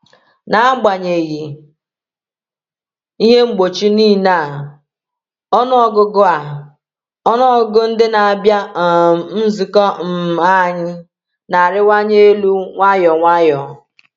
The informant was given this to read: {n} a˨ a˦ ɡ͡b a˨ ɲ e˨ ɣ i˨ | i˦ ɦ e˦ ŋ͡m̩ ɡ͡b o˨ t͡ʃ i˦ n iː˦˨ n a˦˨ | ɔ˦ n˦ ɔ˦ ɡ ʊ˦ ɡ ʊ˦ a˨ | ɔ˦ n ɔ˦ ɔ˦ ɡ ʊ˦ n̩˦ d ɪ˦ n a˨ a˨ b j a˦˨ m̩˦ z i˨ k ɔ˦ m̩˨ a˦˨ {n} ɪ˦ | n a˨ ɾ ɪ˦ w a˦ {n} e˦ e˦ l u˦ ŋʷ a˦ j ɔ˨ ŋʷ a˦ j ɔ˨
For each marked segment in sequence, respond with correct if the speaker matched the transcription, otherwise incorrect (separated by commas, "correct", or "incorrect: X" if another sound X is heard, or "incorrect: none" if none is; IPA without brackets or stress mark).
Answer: correct, incorrect: ɲ, incorrect: ɲ